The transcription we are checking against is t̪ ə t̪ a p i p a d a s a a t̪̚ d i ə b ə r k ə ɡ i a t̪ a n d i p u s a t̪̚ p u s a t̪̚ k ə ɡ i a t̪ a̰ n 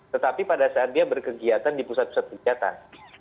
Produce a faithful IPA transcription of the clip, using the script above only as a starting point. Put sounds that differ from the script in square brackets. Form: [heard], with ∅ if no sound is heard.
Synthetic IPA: t̪ ə t̪ a p i p a d a s a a t̪̚ d i [a] b ə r k ə ɡ i a t̪ a n d i p u s a t̪̚ p u s a t̪̚ k ə ɡ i a t̪ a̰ n